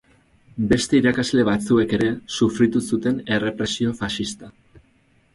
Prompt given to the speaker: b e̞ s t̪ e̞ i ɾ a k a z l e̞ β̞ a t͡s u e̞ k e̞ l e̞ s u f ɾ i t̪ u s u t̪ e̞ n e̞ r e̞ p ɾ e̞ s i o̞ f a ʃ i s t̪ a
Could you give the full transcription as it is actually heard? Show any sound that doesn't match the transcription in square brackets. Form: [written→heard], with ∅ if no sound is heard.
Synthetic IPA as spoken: b e̞ s t̪ e̞ i ɾ a k a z l e̞ β̞ a t͡s u e̞ k e̞ [l→ɾ] e̞ s u f ɾ i t̪ u s u t̪ e̞ n e̞ r e̞ p ɾ e̞ s i o̞ f a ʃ i s t̪ a